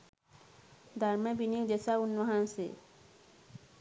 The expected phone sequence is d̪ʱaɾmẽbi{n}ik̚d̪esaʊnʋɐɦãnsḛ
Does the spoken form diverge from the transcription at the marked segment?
no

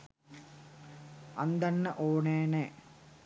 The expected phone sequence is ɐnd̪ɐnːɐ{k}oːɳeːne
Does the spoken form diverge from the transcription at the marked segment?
yes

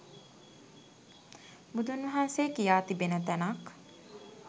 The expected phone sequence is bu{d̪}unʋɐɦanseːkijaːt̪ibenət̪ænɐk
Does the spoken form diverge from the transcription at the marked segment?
no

